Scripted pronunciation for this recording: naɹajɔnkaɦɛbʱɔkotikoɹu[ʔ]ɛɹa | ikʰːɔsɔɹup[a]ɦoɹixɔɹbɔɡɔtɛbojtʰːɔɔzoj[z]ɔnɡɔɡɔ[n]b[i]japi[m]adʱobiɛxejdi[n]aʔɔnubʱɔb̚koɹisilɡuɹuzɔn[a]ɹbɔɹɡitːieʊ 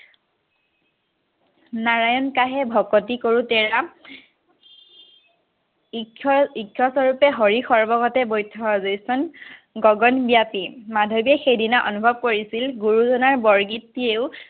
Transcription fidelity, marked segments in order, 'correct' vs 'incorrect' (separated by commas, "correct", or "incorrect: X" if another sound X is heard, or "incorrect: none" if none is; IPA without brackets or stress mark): incorrect: t, incorrect: ɛ, incorrect: s, correct, correct, correct, correct, correct